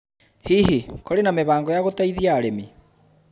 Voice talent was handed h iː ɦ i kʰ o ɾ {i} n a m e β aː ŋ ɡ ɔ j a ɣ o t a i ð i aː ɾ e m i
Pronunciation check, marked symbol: incorrect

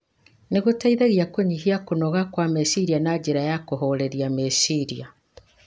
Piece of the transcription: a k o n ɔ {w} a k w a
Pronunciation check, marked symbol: incorrect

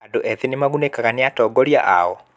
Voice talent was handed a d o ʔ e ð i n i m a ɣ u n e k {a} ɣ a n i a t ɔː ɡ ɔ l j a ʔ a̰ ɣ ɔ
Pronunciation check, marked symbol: correct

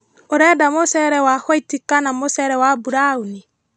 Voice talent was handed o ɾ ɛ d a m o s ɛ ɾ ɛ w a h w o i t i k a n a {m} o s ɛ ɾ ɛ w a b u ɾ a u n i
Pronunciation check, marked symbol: correct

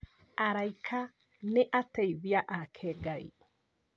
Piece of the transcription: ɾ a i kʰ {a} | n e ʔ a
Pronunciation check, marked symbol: correct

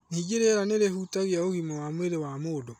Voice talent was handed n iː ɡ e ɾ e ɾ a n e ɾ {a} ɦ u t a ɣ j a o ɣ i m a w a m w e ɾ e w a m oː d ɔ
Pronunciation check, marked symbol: incorrect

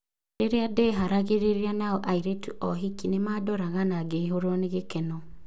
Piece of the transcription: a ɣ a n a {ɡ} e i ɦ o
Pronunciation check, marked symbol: correct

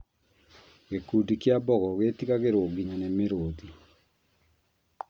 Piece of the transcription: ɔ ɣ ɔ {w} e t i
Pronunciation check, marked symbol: incorrect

